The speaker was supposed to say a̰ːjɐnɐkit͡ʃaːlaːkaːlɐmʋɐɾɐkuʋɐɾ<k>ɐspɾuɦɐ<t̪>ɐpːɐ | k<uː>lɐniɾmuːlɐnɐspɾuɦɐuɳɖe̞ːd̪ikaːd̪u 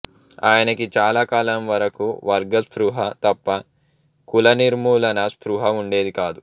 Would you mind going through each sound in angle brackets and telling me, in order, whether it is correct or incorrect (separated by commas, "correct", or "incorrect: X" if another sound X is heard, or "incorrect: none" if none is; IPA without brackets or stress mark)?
incorrect: ɡ, correct, incorrect: u